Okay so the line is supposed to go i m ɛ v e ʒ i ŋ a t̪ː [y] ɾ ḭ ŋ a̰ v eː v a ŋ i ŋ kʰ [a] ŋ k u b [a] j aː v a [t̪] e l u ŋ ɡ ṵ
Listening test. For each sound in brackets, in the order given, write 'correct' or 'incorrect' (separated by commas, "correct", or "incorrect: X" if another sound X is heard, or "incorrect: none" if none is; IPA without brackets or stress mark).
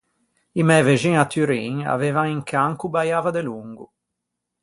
correct, correct, correct, incorrect: d̪